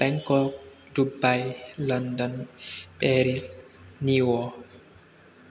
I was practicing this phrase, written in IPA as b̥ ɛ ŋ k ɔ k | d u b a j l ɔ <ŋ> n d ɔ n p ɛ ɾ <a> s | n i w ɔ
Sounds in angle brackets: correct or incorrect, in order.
incorrect: none, incorrect: i

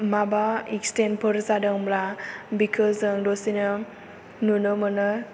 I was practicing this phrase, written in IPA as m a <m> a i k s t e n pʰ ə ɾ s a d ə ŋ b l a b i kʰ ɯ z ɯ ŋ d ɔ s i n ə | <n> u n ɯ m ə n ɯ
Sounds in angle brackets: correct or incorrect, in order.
incorrect: b, correct

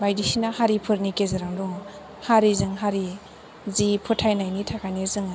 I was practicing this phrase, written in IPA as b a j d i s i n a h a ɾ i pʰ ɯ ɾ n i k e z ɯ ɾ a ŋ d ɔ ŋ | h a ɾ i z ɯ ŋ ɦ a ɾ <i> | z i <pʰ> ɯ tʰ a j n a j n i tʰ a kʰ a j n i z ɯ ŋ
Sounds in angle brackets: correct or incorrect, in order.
correct, correct

